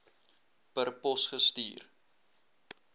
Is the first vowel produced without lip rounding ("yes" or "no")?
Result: yes